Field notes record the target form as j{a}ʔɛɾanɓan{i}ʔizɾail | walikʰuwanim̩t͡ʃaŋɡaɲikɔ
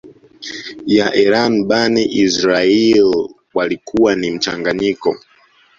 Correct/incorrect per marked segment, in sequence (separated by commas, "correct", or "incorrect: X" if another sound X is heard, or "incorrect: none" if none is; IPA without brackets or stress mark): correct, correct